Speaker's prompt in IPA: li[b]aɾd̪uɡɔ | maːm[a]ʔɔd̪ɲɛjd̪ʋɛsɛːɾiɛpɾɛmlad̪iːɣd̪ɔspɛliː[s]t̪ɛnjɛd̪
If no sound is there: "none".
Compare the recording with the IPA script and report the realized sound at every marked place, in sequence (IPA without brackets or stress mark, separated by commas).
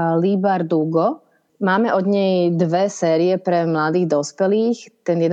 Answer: b, ɛ, x